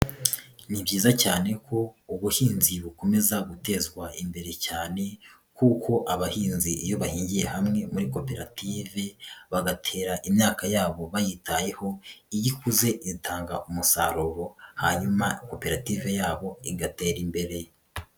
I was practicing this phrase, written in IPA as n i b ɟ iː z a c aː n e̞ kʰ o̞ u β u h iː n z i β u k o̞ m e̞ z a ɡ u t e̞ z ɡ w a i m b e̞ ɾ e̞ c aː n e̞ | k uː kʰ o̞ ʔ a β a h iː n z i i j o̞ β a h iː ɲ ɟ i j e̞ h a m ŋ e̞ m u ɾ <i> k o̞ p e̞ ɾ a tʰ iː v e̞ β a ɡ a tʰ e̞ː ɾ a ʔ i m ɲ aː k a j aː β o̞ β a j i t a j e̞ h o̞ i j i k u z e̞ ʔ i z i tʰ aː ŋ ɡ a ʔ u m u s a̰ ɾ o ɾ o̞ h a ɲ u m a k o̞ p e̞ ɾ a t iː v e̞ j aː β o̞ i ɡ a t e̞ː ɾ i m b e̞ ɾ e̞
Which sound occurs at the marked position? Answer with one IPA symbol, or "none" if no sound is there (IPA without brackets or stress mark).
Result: i